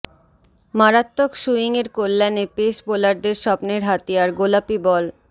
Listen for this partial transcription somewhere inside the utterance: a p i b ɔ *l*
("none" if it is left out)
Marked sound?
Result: l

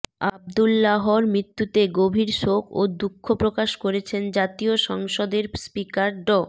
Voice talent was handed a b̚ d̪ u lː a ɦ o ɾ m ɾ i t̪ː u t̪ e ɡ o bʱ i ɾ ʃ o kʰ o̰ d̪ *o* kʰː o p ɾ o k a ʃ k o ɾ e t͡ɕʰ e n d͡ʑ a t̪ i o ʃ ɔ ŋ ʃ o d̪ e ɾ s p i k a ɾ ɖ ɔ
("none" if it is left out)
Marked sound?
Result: u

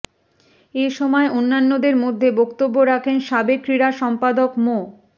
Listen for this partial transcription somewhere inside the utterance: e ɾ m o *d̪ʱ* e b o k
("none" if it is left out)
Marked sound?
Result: d̪ʱː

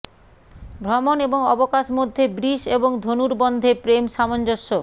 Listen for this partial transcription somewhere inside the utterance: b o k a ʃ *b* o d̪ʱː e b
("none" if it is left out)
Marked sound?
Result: m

